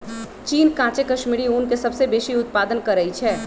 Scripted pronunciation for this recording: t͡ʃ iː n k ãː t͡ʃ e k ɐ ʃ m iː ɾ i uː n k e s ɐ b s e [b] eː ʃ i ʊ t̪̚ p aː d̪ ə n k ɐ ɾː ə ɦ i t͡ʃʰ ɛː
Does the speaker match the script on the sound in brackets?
yes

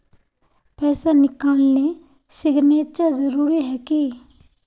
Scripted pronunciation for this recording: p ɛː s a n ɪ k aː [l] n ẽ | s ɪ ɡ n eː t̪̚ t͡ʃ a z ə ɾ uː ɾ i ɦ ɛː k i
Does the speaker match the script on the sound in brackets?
yes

